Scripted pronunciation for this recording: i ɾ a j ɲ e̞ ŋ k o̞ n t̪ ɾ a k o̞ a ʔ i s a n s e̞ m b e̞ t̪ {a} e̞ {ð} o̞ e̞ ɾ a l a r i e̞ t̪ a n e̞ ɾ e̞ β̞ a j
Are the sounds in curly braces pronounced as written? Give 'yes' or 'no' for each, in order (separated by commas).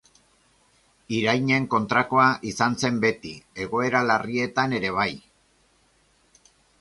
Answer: no, no